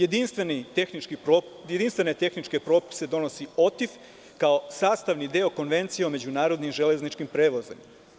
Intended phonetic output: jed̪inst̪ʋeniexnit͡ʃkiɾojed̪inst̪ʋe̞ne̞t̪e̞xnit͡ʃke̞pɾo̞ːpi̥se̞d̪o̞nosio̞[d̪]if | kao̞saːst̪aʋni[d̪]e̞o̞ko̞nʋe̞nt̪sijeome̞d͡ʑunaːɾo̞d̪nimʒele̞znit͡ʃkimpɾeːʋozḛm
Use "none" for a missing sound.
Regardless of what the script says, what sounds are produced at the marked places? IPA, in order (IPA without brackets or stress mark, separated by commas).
t̪, d̪